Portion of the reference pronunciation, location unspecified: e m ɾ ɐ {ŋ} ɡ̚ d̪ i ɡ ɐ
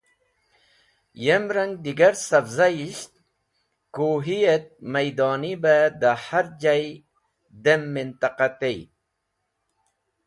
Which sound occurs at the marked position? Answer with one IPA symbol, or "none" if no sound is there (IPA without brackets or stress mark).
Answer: ŋ